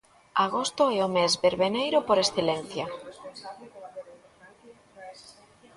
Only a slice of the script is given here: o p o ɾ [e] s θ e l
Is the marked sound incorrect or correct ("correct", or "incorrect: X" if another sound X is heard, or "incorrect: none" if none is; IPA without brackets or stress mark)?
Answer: correct